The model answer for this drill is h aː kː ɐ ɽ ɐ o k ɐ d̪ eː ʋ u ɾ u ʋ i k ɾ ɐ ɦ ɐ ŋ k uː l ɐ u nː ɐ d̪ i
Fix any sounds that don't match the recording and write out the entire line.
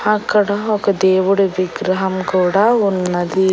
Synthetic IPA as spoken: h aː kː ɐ ɽ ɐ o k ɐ d̪ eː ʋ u ɽ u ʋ i ɡ ɾ ɐ ɦ ɐ m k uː ɽ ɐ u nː ɐ d̪ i